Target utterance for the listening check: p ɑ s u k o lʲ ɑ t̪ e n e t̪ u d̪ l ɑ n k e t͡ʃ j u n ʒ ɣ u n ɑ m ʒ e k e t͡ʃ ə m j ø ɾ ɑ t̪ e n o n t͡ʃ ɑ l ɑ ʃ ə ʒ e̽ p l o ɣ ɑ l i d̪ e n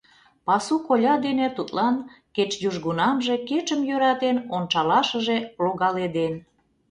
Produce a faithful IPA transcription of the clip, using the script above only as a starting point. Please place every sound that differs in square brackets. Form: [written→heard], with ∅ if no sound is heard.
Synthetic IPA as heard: p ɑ s u k o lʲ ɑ [t̪→d̪] e n e t̪ u [d̪→t̪] l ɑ n k e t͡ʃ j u [n→∅] ʒ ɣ u n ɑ m ʒ e k e t͡ʃ ə m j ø ɾ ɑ t̪ e n o n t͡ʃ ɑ l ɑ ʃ ə ʒ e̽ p l o ɣ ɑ l [i→e] d̪ e n